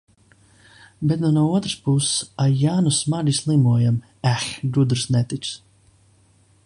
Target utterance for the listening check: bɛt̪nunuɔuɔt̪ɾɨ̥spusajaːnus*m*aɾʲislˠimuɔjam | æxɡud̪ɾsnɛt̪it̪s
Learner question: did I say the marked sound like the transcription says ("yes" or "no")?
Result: yes